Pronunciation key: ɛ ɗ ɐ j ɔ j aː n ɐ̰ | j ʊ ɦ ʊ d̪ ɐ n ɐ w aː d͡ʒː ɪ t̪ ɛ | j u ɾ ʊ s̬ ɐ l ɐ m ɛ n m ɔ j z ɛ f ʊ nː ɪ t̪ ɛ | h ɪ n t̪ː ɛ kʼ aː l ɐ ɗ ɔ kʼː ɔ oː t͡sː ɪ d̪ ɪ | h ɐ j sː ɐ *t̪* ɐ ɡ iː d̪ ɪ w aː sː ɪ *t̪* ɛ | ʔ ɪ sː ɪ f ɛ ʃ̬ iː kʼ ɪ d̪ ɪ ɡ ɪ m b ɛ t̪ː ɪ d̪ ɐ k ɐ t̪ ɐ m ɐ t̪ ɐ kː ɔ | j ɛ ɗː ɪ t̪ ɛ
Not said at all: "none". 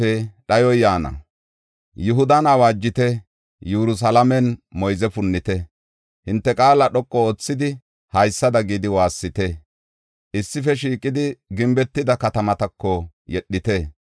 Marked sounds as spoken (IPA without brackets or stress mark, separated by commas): d̪, t̪